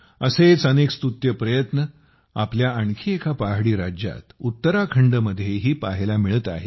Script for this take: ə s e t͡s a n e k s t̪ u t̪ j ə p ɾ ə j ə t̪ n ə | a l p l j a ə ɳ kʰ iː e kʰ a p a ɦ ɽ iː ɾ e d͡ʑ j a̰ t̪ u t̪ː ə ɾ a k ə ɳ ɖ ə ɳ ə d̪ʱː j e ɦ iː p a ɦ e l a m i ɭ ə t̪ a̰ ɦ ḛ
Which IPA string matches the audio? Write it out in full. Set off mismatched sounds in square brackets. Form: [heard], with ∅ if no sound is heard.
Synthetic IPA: ə s e t͡s [ə] n e k s t̪ u t̪ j ə p ɾ ə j ə t̪ n ə | a [∅] p l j a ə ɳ kʰ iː e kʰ a p a ɦ ɽ iː ɾ [a] d͡ʑ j a̰ t̪ u t̪ː ə ɾ a [kʰ] ə ɳ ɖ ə [m] ə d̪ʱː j e ɦ iː p a ɦ e l a m i ɭ ə t̪ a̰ ɦ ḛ